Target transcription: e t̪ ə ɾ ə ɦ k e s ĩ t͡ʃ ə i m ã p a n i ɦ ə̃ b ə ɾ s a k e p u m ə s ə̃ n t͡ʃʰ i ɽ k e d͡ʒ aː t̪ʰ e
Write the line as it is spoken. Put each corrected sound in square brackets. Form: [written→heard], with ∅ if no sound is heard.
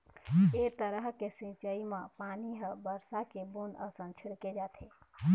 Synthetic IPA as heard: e t̪ ə ɾ ə ɦ k e s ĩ t͡ʃ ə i m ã p a n i ɦ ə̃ b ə ɾ s a k e [p→b] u [m→n] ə s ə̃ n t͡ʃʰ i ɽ k e d͡ʒ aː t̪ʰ e

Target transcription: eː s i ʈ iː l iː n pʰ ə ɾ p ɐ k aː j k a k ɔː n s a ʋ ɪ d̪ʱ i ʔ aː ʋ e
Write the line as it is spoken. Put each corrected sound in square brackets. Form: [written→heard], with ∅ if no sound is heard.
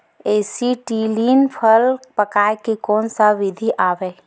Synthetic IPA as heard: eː s i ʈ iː l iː n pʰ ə [ɾ→l] p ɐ k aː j k [a→e] k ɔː n s a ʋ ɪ d̪ʱ i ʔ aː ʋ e

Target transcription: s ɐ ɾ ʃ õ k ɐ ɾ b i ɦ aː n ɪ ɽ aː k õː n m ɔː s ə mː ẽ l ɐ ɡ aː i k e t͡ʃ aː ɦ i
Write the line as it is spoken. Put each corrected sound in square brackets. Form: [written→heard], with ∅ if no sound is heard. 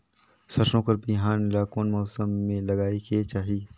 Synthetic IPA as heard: s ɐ ɾ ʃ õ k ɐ ɾ b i ɦ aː n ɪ [ɽ→l] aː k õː n m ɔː s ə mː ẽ l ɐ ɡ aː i k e t͡ʃ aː ɦ i

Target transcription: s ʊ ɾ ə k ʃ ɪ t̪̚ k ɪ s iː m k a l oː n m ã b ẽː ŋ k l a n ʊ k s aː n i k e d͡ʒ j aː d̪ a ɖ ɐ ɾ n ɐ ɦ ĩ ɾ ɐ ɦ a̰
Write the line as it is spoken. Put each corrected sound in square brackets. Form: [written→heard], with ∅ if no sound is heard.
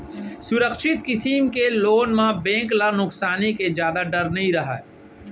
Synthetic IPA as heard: s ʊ ɾ ə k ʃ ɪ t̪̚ k ɪ s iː m k [a→e] l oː n m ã b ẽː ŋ k l a n ʊ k s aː n i k e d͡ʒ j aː d̪ a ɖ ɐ ɾ n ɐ ɦ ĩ ɾ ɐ ɦ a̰

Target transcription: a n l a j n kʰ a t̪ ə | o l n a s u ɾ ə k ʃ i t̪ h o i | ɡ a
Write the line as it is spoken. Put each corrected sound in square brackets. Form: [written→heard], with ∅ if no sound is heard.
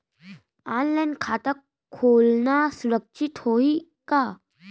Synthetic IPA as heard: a n l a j n kʰ a t̪ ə | o l n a s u ɾ ə k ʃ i t̪ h o i | [ɡ→k] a

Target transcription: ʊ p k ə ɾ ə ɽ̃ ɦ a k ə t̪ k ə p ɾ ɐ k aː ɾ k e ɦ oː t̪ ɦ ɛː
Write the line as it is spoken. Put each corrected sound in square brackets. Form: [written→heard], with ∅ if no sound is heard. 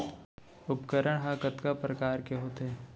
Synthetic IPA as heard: ʊ p k ə ɾ ə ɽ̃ ɦ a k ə t̪ k [ə→a] p ɾ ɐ k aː ɾ k e ɦ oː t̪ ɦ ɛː

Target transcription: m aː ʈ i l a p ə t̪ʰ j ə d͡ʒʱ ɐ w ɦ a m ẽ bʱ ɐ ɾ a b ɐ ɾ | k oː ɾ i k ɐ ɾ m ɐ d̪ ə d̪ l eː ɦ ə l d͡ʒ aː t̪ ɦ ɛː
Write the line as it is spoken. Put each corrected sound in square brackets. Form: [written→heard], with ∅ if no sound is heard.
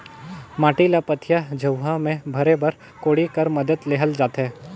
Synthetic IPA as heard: m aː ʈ i l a p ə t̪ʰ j [ə→a] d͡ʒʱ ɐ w ɦ a m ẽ bʱ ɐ ɾ [a→e] b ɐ ɾ | k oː [ɾ→ɽ] i k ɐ ɾ m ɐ d̪ ə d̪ l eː ɦ ə l d͡ʒ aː t̪ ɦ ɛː

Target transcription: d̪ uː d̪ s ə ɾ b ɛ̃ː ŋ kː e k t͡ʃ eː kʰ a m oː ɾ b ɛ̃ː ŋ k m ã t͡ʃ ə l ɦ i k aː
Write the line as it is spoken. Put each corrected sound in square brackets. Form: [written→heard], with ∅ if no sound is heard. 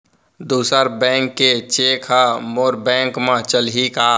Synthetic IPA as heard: d̪ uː [d̪→∅] s ə ɾ b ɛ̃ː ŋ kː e [k→∅] t͡ʃ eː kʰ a m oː ɾ b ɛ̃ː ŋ k m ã t͡ʃ ə l ɦ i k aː

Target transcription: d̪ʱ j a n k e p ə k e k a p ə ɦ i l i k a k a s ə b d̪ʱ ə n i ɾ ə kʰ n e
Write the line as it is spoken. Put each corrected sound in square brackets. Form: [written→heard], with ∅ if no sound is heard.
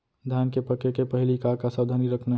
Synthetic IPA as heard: d̪ʱ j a n k e p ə k e k [a→e] p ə ɦ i l i k a k a s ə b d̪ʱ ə n i ɾ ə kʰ n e

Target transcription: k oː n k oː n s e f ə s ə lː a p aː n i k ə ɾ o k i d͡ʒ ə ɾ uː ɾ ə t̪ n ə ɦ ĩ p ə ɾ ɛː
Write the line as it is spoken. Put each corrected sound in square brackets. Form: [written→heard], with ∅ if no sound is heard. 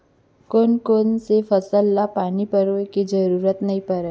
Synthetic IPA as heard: k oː n k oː n s e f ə s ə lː a p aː n i [k→p] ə ɾ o k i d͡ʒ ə ɾ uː ɾ ə t̪ n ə ɦ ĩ p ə ɾ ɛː

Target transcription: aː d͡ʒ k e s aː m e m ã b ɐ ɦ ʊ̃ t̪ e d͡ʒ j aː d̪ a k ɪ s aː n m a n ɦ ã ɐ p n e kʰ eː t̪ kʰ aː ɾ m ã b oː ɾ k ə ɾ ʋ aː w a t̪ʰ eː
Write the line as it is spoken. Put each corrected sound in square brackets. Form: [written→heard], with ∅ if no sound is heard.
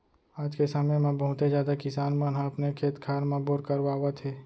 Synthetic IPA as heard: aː d͡ʒ k e s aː m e m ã b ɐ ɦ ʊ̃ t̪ e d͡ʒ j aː d̪ a k ɪ s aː n m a n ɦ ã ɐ p n e kʰ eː t̪ kʰ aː ɾ m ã b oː ɾ k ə ɾ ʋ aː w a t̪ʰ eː

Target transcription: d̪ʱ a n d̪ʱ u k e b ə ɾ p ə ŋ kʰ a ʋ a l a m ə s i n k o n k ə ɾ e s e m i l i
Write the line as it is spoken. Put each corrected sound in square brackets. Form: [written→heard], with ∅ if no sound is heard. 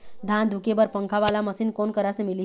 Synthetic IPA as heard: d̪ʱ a n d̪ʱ u k e b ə ɾ p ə ŋ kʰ a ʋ a l a m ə s i n k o n k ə ɾ [e→a] s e m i l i

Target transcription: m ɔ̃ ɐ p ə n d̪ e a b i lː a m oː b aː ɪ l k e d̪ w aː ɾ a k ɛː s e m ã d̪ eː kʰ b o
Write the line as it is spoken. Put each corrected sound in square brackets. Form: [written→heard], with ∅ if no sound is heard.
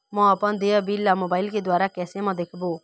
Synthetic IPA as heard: m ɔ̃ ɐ p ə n d̪ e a b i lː a m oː b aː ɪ l k e d̪ w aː ɾ a k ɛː s e m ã d̪ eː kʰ b o

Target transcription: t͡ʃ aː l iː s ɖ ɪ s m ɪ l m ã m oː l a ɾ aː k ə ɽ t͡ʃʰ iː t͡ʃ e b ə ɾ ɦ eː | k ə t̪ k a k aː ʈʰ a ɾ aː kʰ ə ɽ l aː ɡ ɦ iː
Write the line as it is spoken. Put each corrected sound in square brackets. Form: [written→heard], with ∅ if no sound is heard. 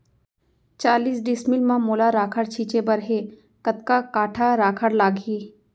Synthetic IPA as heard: t͡ʃ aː l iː s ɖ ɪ s m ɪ l m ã m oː l a ɾ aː [k→kʰ] ə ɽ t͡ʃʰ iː t͡ʃ e b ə ɾ ɦ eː | k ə t̪ k a k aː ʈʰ a ɾ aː kʰ ə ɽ l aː ɡ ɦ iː

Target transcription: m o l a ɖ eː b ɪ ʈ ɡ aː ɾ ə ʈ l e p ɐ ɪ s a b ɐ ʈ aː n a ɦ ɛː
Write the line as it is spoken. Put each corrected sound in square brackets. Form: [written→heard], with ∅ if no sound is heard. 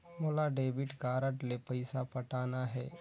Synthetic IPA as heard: m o l a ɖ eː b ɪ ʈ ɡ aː ɾ ə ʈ l e p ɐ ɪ s a [b→p] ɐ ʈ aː n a ɦ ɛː

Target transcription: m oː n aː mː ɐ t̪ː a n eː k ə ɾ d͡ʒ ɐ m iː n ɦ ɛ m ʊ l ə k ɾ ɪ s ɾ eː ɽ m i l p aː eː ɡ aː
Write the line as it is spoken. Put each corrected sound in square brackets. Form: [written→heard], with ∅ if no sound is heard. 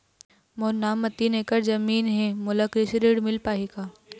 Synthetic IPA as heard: m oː n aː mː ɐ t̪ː [a→i] n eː k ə ɾ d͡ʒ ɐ m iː n ɦ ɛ m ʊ l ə k ɾ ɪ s ɾ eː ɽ m [i→ɪ] l p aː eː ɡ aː

